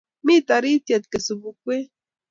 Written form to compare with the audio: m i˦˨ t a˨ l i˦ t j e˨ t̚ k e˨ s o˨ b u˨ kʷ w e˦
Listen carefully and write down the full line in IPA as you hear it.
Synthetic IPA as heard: m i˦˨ t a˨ ɾ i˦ t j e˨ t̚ k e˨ s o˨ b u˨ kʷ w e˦

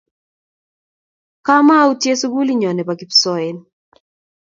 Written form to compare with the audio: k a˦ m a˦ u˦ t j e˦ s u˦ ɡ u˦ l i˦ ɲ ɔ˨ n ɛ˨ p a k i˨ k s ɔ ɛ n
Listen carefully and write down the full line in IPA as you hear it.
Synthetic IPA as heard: k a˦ m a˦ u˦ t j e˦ s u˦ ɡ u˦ l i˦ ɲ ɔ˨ n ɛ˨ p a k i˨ p s ɔ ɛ n

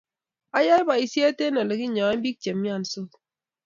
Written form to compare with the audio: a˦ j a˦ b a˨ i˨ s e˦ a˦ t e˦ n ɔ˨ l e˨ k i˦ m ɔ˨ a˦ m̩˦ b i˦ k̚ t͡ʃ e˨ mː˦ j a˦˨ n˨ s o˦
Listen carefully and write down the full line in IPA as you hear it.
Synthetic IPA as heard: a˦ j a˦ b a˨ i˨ s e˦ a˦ t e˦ n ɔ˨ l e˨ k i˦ ɲ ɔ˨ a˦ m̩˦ b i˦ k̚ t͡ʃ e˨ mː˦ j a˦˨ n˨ s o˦

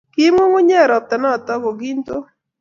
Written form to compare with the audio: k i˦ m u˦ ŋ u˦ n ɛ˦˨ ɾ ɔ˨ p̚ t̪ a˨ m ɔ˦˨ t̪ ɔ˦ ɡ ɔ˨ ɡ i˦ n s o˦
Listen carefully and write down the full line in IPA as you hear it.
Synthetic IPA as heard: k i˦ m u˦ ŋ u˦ ɲ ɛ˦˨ ɾ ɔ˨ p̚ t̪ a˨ n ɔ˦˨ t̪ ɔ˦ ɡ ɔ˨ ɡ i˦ n t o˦

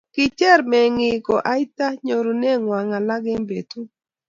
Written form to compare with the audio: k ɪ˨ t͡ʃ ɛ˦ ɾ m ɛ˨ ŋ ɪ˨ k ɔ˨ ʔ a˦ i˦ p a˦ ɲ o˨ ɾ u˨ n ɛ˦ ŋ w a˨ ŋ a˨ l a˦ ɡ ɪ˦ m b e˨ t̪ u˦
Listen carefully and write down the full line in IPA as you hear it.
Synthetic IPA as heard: k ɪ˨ t͡ʃ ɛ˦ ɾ m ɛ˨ ŋ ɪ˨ k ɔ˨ ʔ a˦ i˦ t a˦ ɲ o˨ ɾ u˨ n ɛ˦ ŋ w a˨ ŋ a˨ l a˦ ɡ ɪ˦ m b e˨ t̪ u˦

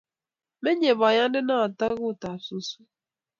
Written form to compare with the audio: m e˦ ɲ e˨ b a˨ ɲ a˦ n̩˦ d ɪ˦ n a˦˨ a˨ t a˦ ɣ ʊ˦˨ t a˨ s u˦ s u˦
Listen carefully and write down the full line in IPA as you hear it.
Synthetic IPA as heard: m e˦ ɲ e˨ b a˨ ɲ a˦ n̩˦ d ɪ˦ n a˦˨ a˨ t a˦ ɣ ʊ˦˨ t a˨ s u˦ s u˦

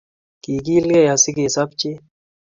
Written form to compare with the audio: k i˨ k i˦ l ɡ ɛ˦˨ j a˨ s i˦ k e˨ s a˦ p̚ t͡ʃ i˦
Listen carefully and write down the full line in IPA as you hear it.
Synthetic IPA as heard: k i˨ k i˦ l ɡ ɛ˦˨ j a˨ s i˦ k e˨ s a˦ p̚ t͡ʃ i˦

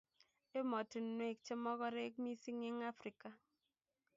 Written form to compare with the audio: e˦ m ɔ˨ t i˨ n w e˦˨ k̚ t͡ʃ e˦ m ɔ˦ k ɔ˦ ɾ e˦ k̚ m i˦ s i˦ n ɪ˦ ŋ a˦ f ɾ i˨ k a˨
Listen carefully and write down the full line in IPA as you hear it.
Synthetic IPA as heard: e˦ m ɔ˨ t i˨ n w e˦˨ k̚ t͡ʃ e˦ m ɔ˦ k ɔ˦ ɾ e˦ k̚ m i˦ s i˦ ŋ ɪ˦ ŋ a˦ f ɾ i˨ k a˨

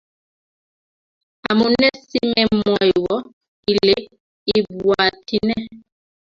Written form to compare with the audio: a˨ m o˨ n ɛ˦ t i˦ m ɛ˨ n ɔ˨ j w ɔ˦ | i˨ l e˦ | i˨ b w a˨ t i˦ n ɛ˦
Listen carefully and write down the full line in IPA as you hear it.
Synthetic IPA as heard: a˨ m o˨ n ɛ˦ s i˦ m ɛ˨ m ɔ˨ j w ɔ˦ | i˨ l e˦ | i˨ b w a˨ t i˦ n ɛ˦

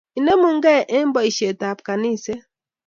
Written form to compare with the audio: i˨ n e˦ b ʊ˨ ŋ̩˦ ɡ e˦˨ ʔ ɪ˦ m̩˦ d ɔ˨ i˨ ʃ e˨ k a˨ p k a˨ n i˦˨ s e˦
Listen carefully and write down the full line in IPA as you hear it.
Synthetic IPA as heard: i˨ n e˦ m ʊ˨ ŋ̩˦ ɡ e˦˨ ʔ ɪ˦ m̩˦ b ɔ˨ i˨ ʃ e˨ t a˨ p k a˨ n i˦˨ s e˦

